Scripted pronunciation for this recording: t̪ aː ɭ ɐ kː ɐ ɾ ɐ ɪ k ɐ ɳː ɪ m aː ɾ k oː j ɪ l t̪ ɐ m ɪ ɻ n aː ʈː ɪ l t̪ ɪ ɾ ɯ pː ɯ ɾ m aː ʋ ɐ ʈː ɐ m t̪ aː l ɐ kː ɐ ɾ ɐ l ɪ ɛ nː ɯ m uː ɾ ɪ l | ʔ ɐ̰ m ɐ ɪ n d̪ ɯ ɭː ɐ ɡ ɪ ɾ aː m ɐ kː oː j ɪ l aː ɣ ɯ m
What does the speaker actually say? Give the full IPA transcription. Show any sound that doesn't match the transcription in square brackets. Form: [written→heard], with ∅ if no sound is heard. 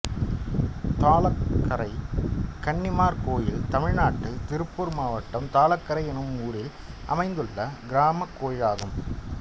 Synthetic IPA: t̪ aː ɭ ɐ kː ɐ ɾ ɐ ɪ k ɐ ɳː ɪ m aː ɾ k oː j ɪ l t̪ ɐ m ɪ ɻ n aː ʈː ɪ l t̪ ɪ ɾ ɯ pː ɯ ɾ m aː ʋ ɐ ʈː ɐ m t̪ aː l ɐ kː ɐ ɾ ɐ [l→∅] ɪ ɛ [nː→n] ɯ m uː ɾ ɪ l | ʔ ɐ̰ m ɐ ɪ n d̪ ɯ ɭː ɐ ɡ ɪ ɾ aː m ɐ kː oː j ɪ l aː ɣ ɯ m